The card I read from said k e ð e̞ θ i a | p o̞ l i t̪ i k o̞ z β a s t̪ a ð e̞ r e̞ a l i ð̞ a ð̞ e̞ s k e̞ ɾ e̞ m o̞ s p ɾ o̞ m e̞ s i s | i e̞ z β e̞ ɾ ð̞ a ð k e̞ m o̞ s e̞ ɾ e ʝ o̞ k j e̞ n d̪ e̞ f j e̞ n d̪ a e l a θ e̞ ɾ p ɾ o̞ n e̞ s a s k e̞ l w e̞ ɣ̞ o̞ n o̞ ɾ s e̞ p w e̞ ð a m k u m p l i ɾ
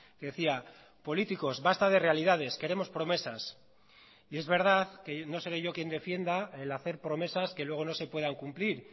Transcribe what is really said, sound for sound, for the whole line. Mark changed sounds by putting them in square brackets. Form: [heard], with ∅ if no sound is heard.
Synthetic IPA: k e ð e̞ θ i a | p o̞ l i t̪ i k o̞ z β a s t̪ a ð e̞ r e̞ a l i ð̞ a ð̞ e̞ s k e̞ ɾ e̞ m o̞ s p ɾ o̞ m e̞ s [a] s | i e̞ z β e̞ ɾ ð̞ a ð k e̞ [n] o̞ s e̞ ɾ e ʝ o̞ k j e̞ n d̪ e̞ f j e̞ n d̪ a e l a θ e̞ ɾ p ɾ o̞ [m] e̞ s a s k e̞ l w e̞ ɣ̞ o̞ n o̞ [∅] s e̞ p w e̞ ð a [ŋ] k u m p l i ɾ